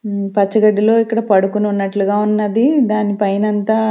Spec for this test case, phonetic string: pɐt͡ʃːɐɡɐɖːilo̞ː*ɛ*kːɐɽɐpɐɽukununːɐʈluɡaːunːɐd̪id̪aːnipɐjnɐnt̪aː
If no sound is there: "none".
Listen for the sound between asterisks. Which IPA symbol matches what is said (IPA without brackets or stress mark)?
i